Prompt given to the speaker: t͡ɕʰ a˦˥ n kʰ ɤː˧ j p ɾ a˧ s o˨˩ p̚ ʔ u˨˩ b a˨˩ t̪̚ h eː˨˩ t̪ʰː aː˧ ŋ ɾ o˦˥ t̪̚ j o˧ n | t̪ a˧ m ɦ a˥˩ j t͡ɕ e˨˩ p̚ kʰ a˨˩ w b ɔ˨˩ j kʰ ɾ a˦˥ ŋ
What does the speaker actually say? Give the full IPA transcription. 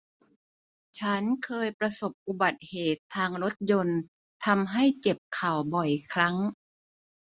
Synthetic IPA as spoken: t͡ɕʰ a˦˥ n kʰ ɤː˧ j p ɾ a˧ s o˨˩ p̚ ʔ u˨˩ b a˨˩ t̪̚ h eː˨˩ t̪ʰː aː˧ ŋ ɾ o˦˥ t̪̚ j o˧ n | t̪ʰ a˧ m ɦ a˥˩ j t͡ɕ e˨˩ p̚ kʰ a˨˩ w b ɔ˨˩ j kʰ ɾ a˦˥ ŋ

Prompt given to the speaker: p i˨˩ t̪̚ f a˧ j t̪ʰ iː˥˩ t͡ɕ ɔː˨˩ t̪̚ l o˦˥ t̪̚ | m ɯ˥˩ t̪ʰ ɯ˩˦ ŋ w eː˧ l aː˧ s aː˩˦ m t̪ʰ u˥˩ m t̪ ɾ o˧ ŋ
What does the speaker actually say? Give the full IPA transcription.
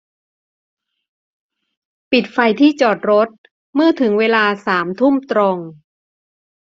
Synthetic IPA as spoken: p i˨˩ t̪̚ f a˧ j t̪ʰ iː˥˩ t͡ɕ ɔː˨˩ t̪̚ ɾ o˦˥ t̪̚ | m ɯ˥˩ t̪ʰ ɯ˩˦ ŋ w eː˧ l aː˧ s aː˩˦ m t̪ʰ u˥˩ m t̪ ɾ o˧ ŋ

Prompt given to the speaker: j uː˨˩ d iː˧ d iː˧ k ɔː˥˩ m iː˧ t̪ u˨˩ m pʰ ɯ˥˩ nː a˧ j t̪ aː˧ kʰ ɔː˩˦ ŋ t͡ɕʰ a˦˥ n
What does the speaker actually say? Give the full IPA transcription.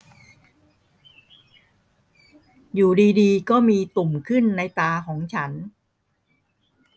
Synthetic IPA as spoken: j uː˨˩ d iː˧ d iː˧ k ɔː˥˩ m iː˧ t̪ u˨˩ m kʰ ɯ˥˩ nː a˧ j t̪ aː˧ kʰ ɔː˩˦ ŋ t͡ɕʰ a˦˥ n

